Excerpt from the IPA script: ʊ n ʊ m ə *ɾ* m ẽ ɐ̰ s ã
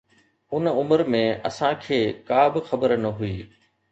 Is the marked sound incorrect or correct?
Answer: correct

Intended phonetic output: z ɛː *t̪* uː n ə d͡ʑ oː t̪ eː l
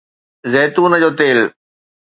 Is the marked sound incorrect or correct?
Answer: correct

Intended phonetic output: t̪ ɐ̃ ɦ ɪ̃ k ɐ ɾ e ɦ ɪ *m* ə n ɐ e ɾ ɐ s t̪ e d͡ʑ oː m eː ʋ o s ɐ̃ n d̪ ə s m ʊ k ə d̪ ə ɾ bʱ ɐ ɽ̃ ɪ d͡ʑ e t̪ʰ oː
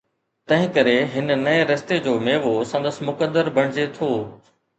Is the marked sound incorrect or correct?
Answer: incorrect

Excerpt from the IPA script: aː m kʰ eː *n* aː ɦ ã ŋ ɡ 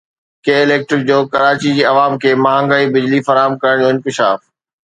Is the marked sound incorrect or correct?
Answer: incorrect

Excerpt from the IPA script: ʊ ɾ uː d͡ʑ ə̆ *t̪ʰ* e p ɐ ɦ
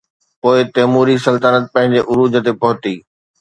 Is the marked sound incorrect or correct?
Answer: incorrect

